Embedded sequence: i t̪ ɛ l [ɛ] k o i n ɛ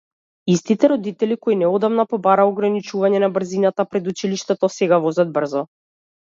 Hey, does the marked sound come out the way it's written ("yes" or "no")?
no